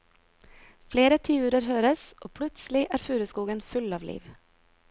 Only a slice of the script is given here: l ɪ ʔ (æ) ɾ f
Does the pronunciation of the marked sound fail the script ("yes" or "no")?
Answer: yes